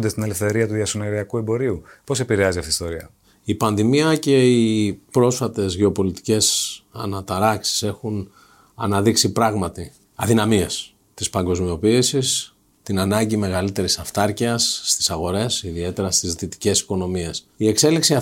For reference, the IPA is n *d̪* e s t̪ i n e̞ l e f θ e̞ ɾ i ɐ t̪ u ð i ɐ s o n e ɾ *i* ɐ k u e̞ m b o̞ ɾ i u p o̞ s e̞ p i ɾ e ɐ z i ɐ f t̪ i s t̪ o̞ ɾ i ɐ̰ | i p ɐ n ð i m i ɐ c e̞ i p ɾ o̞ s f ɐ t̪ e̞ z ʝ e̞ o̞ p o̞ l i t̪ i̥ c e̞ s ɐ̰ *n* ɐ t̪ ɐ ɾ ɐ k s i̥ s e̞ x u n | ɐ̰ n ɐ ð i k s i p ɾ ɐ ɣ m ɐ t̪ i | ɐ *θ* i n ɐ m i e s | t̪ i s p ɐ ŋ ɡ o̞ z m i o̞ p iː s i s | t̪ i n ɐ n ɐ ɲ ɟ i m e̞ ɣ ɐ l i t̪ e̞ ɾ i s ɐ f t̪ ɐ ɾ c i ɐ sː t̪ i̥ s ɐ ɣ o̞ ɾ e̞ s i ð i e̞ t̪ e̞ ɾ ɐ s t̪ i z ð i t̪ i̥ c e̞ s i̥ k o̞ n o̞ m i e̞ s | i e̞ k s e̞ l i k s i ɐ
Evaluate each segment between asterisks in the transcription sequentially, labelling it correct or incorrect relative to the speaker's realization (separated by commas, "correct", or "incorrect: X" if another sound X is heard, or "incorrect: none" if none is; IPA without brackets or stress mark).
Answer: correct, correct, correct, incorrect: ð